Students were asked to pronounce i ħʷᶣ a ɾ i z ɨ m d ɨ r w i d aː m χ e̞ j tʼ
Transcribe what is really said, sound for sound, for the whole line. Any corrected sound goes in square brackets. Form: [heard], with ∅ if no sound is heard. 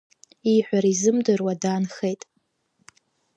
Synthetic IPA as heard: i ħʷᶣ a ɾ i z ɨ m d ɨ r w [a] d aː [n] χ e̞ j tʼ